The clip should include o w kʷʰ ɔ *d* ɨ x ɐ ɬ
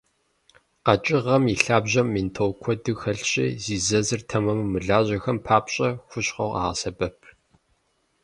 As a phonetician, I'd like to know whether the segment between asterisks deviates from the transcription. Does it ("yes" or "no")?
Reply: no